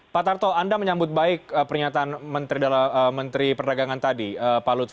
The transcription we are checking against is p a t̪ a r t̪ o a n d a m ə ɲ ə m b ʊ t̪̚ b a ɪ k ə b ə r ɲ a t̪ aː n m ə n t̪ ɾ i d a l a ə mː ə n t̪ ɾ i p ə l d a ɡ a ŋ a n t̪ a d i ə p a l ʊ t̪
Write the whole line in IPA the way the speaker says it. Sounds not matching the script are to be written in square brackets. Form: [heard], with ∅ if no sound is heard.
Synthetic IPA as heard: p a t̪ a r t̪ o a n d a m ə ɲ [a] m b ʊ t̪̚ b a ɪ k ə [p] ə r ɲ a t̪ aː n m ə n t̪ ɾ i d a l a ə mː ə n t̪ ɾ i p ə [r] d a ɡ a ŋ a n t̪ a d i ə p a l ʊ t̪

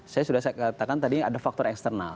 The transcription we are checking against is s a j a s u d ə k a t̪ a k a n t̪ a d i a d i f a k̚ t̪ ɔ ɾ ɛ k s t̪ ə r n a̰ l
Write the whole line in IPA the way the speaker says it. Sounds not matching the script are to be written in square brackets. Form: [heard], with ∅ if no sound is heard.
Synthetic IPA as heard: s a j a s u d [a] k a t̪ a k a n t̪ a d i a d [a] f a k̚ t̪ ɔ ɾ ɛ k s t̪ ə r n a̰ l

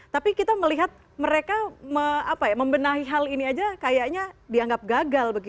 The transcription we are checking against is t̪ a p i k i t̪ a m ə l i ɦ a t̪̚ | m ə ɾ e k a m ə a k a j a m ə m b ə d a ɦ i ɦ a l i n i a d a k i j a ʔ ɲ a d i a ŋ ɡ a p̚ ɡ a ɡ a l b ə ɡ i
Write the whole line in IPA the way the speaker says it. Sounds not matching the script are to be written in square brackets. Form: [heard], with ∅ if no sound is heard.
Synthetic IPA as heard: t̪ a p i k i t̪ a m ə l i ɦ a t̪̚ | m ə ɾ e k a m ə a [p] a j a m ə m b ə [n] a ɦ i ɦ a l i n i a [d͡ʒ] a k [a] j a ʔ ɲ a d i a ŋ ɡ a p̚ ɡ a ɡ a l b ə ɡ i

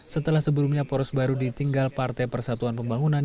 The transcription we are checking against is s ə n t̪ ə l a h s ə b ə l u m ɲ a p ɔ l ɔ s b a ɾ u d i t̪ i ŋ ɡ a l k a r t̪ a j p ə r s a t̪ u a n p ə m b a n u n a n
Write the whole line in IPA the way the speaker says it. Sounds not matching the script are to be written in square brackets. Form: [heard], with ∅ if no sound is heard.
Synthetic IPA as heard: s ə [∅] t̪ ə l a h s ə b ə l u m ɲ a p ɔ [ɾ] ɔ s b a ɾ u d i t̪ i ŋ ɡ a l [p] a r t̪ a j p ə r s a t̪ u a n p ə m b a [ŋ] u n a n

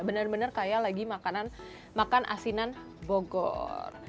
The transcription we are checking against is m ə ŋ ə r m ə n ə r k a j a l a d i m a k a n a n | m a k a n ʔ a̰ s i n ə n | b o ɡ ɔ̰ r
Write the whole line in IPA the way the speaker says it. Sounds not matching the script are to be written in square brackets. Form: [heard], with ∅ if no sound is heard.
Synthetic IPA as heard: [b] ə [n] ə r [b] ə n ə r k a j a l a [ɡ] i m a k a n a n | m a k a n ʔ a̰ s i n [a] n | b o ɡ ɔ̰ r

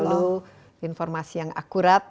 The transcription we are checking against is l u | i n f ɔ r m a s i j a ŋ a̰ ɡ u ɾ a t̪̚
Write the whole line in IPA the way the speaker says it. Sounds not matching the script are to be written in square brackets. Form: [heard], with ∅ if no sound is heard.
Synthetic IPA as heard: l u | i n f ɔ r m a s i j a ŋ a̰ [k] u ɾ a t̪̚

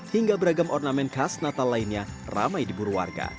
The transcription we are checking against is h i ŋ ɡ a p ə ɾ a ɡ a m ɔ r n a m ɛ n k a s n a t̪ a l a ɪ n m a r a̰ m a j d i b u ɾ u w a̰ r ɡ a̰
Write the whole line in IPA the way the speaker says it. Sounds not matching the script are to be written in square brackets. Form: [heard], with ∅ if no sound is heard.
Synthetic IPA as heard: h i ŋ ɡ a [b] ə ɾ a ɡ a m ɔ r n a m ɛ n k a s n a t̪ a l a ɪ n [ɲ] a r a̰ m a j d i b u ɾ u w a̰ r ɡ a̰

